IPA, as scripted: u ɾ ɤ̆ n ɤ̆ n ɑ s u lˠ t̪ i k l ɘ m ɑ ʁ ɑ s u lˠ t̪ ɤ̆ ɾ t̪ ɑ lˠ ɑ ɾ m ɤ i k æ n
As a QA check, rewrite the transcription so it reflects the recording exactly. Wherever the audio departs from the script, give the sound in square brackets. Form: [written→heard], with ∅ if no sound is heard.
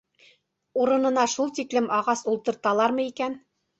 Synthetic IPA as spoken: u ɾ ɤ̆ n ɤ̆ n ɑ [s→ʃ] u lˠ t̪ i k l ɘ m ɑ ʁ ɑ s u lˠ t̪ ɤ̆ ɾ t̪ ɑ lˠ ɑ ɾ m ɤ i k æ n